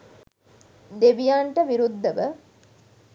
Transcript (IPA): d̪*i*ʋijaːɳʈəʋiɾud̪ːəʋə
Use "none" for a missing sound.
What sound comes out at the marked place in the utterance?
e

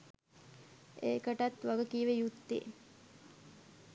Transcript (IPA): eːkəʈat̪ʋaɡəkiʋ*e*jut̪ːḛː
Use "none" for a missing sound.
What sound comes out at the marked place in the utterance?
e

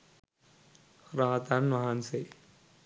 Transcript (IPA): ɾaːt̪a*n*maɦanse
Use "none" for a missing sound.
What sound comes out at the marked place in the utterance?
n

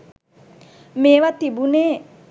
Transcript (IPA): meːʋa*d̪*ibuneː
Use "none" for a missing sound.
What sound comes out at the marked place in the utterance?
t̪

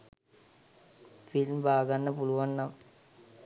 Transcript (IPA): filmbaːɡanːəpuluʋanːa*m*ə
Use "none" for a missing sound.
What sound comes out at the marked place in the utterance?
m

